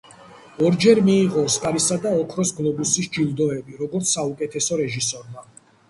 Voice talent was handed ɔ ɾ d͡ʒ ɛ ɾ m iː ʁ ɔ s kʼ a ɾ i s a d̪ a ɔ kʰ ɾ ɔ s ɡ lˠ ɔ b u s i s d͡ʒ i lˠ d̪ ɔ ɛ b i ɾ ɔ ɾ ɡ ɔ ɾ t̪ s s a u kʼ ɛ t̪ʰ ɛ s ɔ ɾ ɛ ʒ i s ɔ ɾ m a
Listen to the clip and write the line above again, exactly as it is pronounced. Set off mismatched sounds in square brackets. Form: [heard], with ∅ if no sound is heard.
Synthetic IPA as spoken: ɔ ɾ d͡ʒ ɛ ɾ m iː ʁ ɔ s kʼ a ɾ i s a d̪ a ɔ kʰ ɾ ɔ s ɡ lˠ ɔ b u s i s d͡ʒ i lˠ d̪ ɔ ɛ b i ɾ ɔ [∅] ɡ ɔ ɾ t̪ s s a u kʼ ɛ t̪ʰ ɛ s ɔ ɾ ɛ ʒ i s ɔ ɾ m a